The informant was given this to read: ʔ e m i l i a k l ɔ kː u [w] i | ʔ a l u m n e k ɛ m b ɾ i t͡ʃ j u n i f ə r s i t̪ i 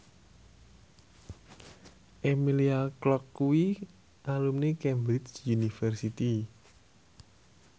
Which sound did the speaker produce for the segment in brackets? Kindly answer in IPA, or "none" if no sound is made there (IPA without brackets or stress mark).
w